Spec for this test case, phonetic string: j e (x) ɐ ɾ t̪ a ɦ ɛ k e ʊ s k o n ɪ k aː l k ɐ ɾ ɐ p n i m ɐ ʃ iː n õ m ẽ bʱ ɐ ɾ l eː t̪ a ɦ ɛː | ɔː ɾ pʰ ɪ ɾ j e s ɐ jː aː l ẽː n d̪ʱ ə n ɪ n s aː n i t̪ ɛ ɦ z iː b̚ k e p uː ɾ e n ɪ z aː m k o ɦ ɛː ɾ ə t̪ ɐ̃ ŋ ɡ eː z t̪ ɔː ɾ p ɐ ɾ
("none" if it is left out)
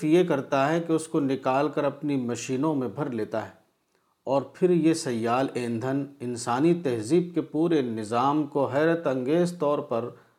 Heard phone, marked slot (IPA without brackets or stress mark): k